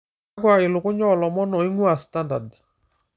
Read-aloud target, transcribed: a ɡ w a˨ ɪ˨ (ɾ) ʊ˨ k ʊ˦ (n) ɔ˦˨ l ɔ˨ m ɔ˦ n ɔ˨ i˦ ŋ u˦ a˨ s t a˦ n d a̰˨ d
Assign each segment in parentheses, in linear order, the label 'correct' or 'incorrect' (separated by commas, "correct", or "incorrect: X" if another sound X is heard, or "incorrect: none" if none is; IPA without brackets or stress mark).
incorrect: l, incorrect: ɲ